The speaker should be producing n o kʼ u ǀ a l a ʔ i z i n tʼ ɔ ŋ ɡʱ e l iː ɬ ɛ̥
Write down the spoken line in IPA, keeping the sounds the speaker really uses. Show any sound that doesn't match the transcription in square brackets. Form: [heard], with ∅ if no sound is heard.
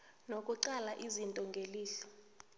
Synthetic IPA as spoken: n o kʼ u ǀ a l a ʔ i z i n tʼ ɔ ŋ ɡʱ e l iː ɬ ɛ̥